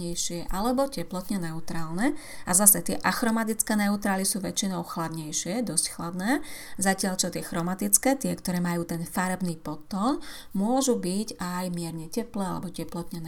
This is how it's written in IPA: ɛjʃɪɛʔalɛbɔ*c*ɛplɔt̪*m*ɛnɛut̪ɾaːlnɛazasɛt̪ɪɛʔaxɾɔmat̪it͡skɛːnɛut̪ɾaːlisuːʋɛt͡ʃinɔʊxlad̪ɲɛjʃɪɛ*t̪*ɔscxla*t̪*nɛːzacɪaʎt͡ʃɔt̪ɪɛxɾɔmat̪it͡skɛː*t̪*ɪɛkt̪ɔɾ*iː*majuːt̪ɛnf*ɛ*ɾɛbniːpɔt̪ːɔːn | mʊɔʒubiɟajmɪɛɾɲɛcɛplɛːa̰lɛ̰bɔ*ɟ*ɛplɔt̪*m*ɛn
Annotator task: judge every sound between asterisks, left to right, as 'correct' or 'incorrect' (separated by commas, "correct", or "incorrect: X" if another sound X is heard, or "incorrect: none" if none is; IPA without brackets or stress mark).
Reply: correct, incorrect: ɲ, incorrect: d̪, incorrect: d̪, correct, incorrect: ɛː, incorrect: a, incorrect: c, incorrect: ɲ